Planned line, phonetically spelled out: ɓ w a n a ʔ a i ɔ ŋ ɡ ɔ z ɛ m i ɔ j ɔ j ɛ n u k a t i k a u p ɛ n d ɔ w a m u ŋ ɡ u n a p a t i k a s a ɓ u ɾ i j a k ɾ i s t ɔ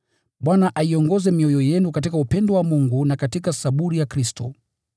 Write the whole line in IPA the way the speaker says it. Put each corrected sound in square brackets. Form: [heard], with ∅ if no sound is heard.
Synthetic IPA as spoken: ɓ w a n a ʔ a i ɔ ŋ ɡ ɔ z ɛ m i ɔ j ɔ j ɛ n u k a t i k a u p ɛ n d ɔ w a m u ŋ ɡ u n a [k] a t i k a s a ɓ u ɾ i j a k ɾ i s t ɔ